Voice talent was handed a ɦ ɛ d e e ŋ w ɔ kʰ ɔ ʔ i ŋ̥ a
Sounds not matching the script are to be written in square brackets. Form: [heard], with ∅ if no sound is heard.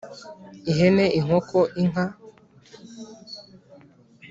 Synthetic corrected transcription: [i] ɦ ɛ [n] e [i] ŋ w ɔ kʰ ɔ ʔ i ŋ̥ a